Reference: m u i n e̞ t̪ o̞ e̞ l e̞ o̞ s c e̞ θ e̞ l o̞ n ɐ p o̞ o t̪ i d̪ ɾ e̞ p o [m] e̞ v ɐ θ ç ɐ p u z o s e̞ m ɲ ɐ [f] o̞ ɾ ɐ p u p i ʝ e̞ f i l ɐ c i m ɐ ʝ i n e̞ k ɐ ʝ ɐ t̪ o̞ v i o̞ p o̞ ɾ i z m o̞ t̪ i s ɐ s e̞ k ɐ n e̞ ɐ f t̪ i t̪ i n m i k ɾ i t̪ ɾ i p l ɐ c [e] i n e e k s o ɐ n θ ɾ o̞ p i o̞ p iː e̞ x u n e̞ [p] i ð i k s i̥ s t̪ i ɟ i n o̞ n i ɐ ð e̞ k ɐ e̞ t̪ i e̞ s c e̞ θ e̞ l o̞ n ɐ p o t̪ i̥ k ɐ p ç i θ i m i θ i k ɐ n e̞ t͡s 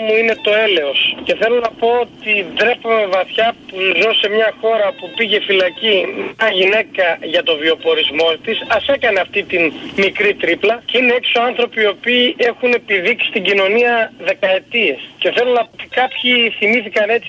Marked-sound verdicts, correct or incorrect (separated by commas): correct, incorrect, correct, correct